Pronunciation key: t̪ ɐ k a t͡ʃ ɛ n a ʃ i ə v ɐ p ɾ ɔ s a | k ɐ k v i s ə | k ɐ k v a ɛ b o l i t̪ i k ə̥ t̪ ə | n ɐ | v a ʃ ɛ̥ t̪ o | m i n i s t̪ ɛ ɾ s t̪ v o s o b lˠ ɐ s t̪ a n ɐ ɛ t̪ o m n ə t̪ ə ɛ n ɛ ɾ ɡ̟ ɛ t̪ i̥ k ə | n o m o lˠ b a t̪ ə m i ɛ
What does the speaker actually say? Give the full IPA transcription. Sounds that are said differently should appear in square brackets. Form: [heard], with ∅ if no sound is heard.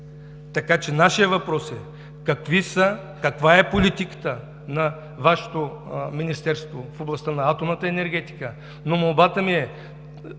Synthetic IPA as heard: t̪ ɐ k a t͡ʃ ɛ n a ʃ i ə v ɐ p ɾ ɔ s [ɛ] | k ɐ k v i s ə | k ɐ k v a ɛ [p] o l i t̪ i k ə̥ t̪ ə | n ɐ | v a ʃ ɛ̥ t̪ o | m i n i s t̪ ɛ ɾ s t̪ v o [f] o b lˠ ɐ s t̪ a n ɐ [a] t̪ o m n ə t̪ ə ɛ n ɛ ɾ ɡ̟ ɛ t̪ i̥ k ə | n o m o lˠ b a t̪ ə m i ɛ

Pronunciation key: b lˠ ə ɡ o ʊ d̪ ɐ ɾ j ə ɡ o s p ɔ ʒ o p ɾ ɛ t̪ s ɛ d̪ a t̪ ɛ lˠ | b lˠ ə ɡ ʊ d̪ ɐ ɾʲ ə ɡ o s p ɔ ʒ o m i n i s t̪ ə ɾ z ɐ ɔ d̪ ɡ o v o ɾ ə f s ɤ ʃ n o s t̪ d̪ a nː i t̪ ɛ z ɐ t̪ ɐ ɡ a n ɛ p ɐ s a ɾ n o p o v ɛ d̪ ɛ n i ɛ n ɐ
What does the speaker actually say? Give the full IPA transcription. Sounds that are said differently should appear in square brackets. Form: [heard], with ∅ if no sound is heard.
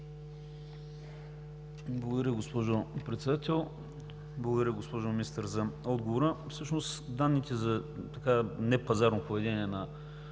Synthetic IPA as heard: b lˠ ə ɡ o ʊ d̪ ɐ ɾ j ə ɡ o s p ɔ ʒ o p ɾ ɛ t̪ s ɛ d̪ a t̪ ɛ lˠ | b lˠ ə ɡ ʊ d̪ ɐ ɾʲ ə ɡ o s p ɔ ʒ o m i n i s t̪ ə ɾ z ɐ ɔ d̪ ɡ o v o ɾ ə f s ɤ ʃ n o s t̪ d̪ a nː i t̪ ɛ z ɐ t̪ ɐ [k] a n ɛ p ɐ [z] a ɾ n o p o v ɛ d̪ ɛ n i ɛ n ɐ

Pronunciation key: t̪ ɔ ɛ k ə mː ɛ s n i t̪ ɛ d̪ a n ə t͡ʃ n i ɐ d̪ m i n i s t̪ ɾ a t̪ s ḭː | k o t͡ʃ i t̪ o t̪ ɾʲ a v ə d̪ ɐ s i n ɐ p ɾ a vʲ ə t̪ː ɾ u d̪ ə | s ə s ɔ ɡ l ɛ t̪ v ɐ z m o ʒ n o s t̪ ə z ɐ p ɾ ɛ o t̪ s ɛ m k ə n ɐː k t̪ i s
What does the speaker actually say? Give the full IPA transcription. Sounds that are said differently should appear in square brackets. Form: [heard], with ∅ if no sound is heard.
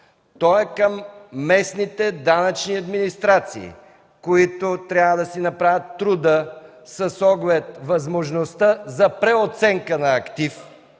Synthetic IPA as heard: t̪ ɔ ɛ k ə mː ɛ s n i t̪ ɛ d̪ a n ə t͡ʃ n i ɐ d̪ m i n i s t̪ ɾ a t̪ s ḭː | k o [∅] i t̪ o t̪ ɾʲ a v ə d̪ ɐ s i n ɐ p ɾ a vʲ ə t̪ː ɾ u d̪ ə | s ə s ɔ ɡ l ɛ t̪ v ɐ z m o ʒ n o s t̪ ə z ɐ p ɾ ɛ o t̪ s ɛ [ŋ] k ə n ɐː k t̪ i [f]

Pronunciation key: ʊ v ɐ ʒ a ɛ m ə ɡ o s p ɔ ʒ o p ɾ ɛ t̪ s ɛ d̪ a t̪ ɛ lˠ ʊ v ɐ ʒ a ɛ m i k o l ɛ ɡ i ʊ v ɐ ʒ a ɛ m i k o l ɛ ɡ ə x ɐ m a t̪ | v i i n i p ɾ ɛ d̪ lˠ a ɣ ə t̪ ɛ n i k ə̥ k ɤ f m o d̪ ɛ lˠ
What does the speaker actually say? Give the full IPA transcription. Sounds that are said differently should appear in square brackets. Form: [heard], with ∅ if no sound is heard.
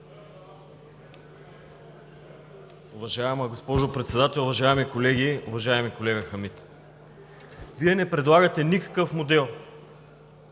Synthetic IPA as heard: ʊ v ɐ ʒ a ɛ m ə ɡ o s p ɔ ʒ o p ɾ ɛ t̪ s ɛ d̪ a t̪ ɛ lˠ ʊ v ɐ ʒ a ɛ m i k o l ɛ ɡ i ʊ v ɐ ʒ a ɛ m i k o l ɛ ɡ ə x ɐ m [i] t̪ | v i [ɛ] n [ɛ] p ɾ ɛ d̪ lˠ a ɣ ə t̪ ɛ n i k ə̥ k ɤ f m o d̪ ɛ lˠ

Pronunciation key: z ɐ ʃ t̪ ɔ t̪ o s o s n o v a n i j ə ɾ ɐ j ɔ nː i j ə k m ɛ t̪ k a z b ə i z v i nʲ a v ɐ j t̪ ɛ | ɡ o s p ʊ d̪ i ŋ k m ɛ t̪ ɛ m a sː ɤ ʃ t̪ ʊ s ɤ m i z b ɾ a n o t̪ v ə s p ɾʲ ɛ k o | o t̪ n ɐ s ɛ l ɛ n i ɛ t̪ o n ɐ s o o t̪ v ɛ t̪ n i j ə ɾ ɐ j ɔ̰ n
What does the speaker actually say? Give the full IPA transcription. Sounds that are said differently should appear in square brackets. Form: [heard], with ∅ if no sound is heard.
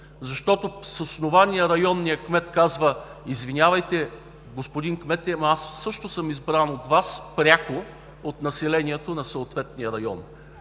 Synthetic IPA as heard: z ɐ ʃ t̪ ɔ t̪ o s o s n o v a n i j ə ɾ ɐ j ɔ nː i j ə k m ɛ t̪ k a z [v] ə i z v i nʲ a v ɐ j t̪ ɛ | ɡ o s p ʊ d̪ i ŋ k m ɛ t̪ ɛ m a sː ɤ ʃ t̪ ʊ s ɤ m i z b ɾ a n o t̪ v [a] s p ɾʲ [a] k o | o t̪ n ɐ s ɛ l ɛ n i ɛ t̪ o n ɐ s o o t̪ v ɛ t̪ n i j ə ɾ ɐ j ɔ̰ n

